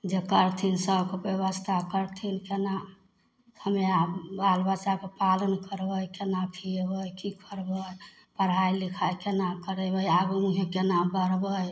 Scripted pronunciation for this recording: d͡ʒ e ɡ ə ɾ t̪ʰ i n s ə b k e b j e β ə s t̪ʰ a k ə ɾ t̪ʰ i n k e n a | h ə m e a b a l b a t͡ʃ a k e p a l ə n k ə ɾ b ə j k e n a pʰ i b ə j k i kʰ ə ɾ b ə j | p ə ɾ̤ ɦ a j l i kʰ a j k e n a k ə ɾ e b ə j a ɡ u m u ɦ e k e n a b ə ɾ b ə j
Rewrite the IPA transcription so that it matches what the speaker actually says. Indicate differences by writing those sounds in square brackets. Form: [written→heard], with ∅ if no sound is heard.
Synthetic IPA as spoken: d͡ʒ e [ɡ→k] ə ɾ t̪ʰ i n s ə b k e b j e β ə s t̪ʰ a k ə ɾ t̪ʰ i n k e n a | h ə m e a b a l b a t͡ʃ a k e p a l ə n k ə ɾ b ə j k e n a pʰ i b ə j k i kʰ ə ɾ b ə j | p ə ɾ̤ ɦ a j l i kʰ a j k e n a k ə ɾ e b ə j a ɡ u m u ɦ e k e n a b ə ɾ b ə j